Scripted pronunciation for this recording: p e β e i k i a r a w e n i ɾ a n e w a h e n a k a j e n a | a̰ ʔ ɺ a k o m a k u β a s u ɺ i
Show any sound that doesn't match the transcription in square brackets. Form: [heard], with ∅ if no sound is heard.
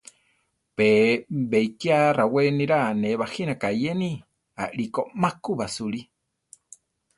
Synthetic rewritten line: p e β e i k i a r a w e n i ɾ a n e [β] a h [i] n a k a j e n [i] | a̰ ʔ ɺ [i] k o m a k u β a s u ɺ i